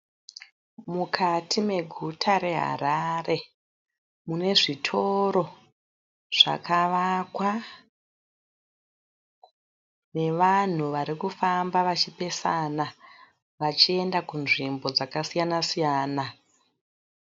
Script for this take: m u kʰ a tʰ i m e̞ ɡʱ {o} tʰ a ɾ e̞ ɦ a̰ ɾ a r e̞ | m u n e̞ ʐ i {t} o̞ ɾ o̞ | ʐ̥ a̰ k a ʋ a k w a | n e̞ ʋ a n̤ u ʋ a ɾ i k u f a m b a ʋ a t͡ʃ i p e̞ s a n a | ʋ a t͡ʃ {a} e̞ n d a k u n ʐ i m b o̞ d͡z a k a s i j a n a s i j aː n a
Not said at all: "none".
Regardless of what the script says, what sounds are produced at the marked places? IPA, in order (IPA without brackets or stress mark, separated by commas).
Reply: u, tʰ, i